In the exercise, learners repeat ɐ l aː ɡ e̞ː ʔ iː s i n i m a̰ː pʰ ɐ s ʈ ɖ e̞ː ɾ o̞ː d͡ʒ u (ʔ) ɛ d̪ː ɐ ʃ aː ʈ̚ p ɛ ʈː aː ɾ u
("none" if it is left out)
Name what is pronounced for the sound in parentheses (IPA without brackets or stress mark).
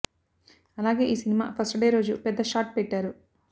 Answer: p